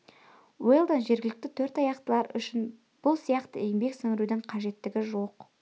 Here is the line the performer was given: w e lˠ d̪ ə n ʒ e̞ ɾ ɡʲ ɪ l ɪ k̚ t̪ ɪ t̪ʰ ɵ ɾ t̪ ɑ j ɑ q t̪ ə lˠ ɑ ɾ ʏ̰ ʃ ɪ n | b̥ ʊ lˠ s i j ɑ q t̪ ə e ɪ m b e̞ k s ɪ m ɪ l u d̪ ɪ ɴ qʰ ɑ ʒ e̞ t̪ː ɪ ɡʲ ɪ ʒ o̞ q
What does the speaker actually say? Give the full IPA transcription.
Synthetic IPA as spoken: w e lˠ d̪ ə n ʒ e̞ ɾ ɡʲ ɪ l ɪ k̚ t̪ ɪ t̪ʰ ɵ ɾ t̪ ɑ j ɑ q t̪ ə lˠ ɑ ɾ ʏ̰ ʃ ɪ n | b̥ ʊ lˠ s i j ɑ q t̪ ə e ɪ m b e̞ k s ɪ ŋ ɪ ɾ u d̪ ɪ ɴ qʰ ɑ ʒ e̞ t̪ː ɪ ɡʲ ɪ ʒ o̞ q

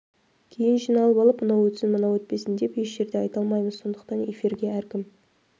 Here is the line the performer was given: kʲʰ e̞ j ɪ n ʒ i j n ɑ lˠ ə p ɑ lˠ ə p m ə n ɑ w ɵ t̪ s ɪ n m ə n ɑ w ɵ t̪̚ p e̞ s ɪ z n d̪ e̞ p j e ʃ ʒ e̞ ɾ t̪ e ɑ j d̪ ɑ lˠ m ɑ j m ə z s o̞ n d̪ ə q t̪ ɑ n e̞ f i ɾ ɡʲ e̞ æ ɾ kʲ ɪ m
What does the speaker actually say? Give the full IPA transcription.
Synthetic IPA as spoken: kʲʰ e̞ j ɪ n ʒ i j n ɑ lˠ ə p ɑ lˠ ə p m ə n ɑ w ɵ t̪ s ɪ n m ə n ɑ w ɵ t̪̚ p e̞ s ɪ n d̪ e̞ p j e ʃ ʒ e̞ ɾ d̪ e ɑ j t̪ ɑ lˠ m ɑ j m ə z s o̞ n d̪ ə q t̪ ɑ n e̞ f i ɾ ɡʲ e̞ æ ɾ kʲ ɪ m

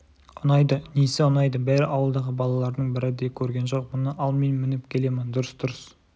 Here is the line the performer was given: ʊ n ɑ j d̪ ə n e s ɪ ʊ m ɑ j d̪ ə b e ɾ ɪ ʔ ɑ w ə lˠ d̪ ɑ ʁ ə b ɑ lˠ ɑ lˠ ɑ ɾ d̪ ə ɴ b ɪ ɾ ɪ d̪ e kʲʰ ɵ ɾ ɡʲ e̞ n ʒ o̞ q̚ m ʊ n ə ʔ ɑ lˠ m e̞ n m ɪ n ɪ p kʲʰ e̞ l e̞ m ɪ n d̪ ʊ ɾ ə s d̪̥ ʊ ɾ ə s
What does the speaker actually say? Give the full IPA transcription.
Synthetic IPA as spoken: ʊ n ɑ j d̪ ə n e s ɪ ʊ n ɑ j d̪ ə b æ ɾ ɪ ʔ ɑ w ə lˠ d̪ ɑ ʁ ə b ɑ lˠ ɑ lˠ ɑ ɾ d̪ ə ɴ b ɪ ɾ ɪ d̪ e kʲʰ ɵ ɾ ɡʲ e̞ n ʒ o̞ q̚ m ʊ n ə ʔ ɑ lˠ m e̞ n m ɪ n ɪ p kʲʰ e̞ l e̞ m ɪ n d̪ ʊ ɾ ə s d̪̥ ʊ ɾ ə s

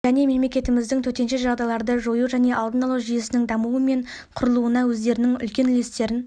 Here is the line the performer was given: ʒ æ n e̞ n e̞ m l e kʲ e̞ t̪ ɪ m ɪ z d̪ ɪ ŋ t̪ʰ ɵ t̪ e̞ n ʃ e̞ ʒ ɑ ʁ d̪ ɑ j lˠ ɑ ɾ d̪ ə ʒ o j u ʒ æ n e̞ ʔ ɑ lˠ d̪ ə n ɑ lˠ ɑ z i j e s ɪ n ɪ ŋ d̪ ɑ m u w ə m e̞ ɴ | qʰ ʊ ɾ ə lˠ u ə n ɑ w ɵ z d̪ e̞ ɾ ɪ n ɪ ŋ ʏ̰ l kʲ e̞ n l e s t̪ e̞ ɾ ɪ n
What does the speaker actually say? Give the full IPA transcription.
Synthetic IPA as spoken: ʒ æ n e̞ m e̞ m l e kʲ e̞ t̪ ɪ m ɪ z d̪ ɪ ŋ t̪ʰ ɵ t̪ e̞ n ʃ e̞ ʒ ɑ ʁ d̪ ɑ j lˠ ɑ ɾ d̪ ə ʒ o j u ʒ æ n e̞ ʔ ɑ lˠ d̪ ə n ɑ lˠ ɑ ʒ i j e s ɪ n ɪ ŋ d̪ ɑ m u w ə m e̞ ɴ | qʰ ʊ ɾ ə lˠ u ə n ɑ w ɵ z d̪ e̞ ɾ ɪ n ɪ ŋ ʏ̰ l kʲ e̞ n l e s t̪ e̞ ɾ ɪ n

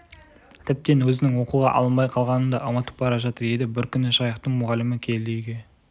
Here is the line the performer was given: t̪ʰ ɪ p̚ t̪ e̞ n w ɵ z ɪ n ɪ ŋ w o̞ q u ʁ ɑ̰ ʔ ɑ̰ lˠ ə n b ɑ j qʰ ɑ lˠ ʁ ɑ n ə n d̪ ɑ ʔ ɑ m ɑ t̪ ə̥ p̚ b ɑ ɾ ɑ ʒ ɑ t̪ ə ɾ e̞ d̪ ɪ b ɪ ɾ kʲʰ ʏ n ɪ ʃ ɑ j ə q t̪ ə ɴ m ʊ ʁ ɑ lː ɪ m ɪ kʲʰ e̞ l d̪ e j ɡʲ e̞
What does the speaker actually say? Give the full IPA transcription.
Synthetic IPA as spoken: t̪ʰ ɪ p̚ t̪ e̞ n w ɵ z ɪ n ɪ ŋ w o̞ q u ʁ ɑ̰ ʔ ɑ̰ lˠ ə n b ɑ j qʰ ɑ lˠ ʁ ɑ n ə n d̪ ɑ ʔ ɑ m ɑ t̪ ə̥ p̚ b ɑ ɾ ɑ ʒ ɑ t̪ ə ɾ e̞ d̪ ɪ b ɪ ɾ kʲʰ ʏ n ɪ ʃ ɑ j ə q t̪ ə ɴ m ʊ ʁ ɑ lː ɪ m ɪ kʲʰ e̞ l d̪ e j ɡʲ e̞

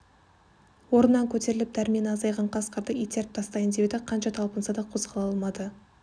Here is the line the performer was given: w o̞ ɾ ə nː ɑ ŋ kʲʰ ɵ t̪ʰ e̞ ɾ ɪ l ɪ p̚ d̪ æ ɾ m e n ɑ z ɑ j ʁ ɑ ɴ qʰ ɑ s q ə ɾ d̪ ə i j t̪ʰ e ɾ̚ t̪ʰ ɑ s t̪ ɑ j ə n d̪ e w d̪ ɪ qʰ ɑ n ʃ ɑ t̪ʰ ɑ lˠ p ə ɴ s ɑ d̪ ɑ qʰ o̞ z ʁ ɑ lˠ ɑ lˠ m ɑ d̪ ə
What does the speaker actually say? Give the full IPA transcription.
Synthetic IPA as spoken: w o̞ ɾ ə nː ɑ ŋ kʲʰ ɵ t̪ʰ e̞ ɾ ɪ l ɪ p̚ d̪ æ ɾ m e n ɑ z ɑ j ʁ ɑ ɴ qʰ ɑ s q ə ɾ d̪ ə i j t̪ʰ e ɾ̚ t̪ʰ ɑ s t̪ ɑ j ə n d̪ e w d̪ ɪ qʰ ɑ n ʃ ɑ t̪ʰ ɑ lˠ p ə n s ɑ d̪ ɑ qʰ o̞ z ʁ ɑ lˠ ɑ lˠ m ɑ d̪ ə

